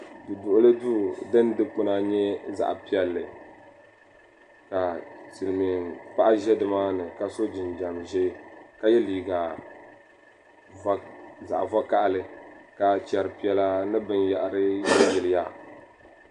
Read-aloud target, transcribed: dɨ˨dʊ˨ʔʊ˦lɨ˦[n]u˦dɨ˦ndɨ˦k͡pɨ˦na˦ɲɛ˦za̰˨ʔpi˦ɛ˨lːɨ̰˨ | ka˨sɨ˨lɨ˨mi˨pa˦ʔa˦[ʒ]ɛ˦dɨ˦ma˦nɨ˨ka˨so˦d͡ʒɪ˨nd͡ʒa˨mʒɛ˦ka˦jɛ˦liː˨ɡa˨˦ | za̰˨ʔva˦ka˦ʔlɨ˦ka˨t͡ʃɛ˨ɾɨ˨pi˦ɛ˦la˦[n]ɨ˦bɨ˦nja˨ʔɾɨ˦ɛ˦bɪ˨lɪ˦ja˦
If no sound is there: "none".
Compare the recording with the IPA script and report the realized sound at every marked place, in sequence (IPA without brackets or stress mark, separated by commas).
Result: d, ʒ, n